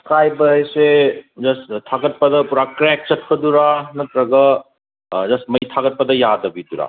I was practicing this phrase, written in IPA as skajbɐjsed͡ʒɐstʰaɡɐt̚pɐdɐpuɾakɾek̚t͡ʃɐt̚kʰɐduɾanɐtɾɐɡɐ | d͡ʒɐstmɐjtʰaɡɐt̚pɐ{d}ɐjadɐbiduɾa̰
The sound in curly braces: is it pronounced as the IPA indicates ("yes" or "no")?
yes